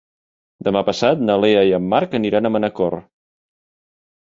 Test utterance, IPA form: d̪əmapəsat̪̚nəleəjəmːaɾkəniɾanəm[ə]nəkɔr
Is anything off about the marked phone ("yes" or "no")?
no